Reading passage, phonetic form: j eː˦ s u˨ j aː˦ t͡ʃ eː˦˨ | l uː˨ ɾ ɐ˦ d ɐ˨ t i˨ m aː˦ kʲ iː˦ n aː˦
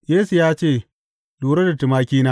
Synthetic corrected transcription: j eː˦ s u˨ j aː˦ t͡ʃ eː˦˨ | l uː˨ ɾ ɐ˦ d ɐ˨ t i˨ m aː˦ kʲ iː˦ n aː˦